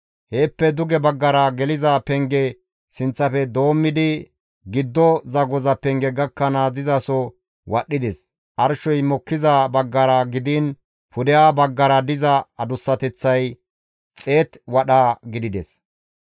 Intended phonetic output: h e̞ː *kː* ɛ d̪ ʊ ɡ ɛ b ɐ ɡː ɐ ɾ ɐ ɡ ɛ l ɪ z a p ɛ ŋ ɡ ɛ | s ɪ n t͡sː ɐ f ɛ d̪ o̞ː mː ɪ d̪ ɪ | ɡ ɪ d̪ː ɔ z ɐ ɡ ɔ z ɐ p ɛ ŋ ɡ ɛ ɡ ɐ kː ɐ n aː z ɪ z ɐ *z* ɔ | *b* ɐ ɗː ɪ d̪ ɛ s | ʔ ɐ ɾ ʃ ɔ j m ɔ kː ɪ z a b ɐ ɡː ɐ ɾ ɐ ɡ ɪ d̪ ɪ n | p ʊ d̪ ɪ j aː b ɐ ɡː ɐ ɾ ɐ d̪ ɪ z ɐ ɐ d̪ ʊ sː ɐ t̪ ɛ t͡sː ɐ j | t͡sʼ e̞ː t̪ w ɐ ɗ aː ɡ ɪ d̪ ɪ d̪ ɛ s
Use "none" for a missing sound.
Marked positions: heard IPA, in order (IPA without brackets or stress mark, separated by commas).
pː, s, w